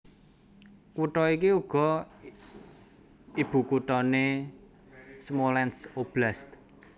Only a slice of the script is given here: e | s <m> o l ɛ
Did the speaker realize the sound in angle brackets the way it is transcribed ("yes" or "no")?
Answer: yes